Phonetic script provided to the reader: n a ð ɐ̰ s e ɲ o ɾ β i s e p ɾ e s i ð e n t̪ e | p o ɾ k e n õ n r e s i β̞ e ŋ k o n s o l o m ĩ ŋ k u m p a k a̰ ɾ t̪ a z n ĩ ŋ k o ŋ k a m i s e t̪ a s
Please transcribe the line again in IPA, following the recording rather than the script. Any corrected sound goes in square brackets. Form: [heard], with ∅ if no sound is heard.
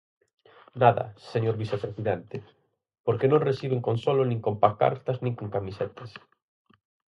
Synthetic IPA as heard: n a ð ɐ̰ s e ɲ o ɾ β i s e p ɾ e s i ð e n t̪ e | p o ɾ k e n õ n r e s i β̞ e ŋ k o n s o l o [n] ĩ ŋ k [o] m p a k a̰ ɾ t̪ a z n ĩ ŋ k o ŋ k a m i s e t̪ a s